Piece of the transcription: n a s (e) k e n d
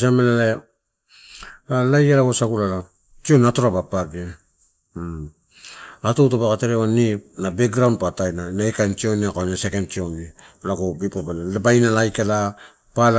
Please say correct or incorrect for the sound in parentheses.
correct